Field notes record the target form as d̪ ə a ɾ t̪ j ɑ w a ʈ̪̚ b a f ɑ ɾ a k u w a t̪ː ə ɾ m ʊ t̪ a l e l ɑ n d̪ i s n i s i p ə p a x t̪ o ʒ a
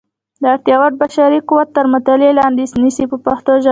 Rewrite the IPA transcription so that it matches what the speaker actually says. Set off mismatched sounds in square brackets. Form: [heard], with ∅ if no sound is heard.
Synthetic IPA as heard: d̪ ə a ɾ t̪ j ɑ w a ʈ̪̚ b a [ʃ] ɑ ɾ [i] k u w a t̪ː ə ɾ m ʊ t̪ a l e l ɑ n d̪ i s n i s i p ə p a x t̪ o ʒ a